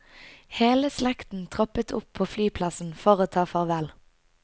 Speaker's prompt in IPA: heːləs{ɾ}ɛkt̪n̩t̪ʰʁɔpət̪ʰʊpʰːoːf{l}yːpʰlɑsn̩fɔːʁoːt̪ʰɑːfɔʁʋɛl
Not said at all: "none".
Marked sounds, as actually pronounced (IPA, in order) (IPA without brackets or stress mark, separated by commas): l, l